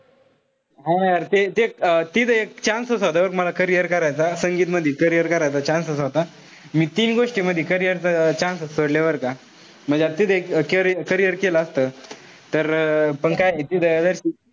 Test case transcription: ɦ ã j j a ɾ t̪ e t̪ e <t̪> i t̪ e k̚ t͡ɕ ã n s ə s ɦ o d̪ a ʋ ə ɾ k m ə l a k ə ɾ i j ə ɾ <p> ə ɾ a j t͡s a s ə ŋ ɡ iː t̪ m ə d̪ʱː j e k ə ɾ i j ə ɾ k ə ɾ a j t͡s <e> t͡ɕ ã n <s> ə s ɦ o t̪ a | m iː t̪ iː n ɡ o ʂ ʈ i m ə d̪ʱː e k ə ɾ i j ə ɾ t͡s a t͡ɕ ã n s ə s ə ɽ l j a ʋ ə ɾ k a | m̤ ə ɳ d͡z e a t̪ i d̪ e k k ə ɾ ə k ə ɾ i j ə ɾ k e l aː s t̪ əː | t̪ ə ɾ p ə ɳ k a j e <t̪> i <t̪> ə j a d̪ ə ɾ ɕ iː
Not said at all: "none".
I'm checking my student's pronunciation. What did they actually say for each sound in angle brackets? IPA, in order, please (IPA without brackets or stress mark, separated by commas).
t̪, k, a, s, t̪, d̪